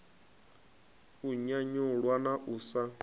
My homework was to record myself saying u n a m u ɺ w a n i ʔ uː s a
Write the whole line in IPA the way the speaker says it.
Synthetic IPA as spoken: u ɲ a ɲ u ɺ w a n a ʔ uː s a